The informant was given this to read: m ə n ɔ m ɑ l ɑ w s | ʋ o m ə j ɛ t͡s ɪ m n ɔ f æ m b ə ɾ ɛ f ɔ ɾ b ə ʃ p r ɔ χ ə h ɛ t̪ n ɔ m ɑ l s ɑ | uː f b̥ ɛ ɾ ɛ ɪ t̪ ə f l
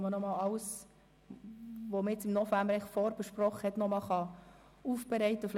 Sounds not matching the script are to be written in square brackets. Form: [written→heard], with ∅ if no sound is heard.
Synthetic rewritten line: m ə n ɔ m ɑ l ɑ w s | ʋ o m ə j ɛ t͡s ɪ m n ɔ f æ m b ə ɾ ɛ f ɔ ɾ b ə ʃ p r ɔ χ ə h ɛ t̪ n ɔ m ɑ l [s→χ] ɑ | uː f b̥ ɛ ɾ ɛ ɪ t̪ ə f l